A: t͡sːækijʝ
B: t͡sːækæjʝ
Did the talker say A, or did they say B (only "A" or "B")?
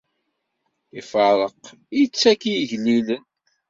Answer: A